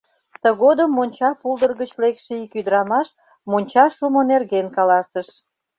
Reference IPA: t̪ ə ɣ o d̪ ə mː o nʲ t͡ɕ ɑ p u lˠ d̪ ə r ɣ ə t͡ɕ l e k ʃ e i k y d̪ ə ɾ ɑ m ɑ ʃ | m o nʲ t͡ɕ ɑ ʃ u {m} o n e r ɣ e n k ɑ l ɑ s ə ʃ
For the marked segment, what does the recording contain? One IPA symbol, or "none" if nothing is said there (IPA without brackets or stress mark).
m